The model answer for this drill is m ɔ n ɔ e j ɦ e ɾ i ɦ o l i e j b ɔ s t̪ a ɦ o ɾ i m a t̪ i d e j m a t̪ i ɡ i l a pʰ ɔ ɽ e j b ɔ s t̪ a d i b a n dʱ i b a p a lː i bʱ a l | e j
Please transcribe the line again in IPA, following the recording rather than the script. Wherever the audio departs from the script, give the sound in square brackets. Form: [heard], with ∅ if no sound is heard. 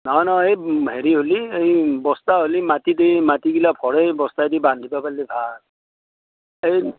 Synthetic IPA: [n] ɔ n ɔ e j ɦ e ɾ i ɦ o l i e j b ɔ s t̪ a ɦ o [l] i m a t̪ i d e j m a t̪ i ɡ i l a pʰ ɔ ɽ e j b ɔ s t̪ a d i b a n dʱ i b a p a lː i bʱ a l | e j